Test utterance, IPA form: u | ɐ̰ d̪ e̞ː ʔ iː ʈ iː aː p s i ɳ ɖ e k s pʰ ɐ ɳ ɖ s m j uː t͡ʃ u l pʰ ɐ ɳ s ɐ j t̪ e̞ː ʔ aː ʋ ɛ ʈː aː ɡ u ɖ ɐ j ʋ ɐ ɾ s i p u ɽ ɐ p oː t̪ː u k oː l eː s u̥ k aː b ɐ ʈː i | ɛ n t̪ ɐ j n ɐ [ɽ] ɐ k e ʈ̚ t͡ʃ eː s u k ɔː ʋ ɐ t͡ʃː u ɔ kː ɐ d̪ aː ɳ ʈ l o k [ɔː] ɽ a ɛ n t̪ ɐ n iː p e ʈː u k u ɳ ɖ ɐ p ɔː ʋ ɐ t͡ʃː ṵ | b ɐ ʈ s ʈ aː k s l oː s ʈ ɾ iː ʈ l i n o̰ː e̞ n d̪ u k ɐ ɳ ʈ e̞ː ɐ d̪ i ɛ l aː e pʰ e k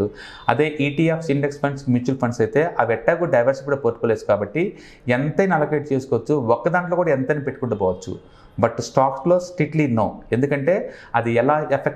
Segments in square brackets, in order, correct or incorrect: incorrect, incorrect

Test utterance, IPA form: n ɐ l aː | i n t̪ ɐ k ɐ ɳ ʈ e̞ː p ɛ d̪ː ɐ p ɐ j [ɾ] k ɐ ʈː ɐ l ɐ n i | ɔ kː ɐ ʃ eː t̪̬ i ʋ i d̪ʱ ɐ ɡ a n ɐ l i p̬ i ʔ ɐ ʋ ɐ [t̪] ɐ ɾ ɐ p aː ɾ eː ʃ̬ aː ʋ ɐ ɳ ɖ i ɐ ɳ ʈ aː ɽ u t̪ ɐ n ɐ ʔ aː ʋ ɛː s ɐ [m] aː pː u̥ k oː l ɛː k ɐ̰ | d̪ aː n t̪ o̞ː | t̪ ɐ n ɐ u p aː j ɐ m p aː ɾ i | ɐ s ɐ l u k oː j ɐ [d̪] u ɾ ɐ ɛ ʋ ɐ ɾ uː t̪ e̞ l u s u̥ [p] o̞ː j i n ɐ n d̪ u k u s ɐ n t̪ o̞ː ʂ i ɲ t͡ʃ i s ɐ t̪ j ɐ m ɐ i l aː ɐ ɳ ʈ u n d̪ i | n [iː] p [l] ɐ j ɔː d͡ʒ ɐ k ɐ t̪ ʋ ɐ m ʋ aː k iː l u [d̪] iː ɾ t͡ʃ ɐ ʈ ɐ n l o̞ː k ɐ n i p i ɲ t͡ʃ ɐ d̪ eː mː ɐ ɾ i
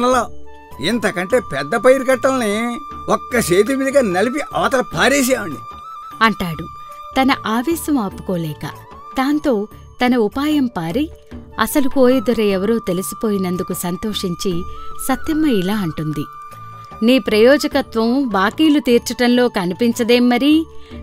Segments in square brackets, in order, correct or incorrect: correct, correct, correct, correct, correct, correct, incorrect, incorrect

